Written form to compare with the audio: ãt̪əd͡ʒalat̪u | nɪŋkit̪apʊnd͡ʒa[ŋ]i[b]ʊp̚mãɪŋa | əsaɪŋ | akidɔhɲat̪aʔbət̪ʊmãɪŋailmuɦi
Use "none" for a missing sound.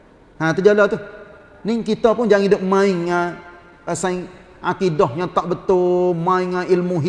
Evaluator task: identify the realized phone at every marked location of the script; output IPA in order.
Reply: ŋ, d

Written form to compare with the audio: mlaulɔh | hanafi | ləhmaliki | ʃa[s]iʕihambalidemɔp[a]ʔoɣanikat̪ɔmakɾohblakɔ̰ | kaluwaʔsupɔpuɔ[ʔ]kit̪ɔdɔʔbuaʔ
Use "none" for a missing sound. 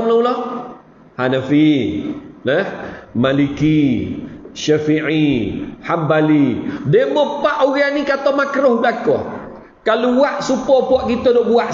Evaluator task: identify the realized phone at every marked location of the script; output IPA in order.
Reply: f, a, ʔ

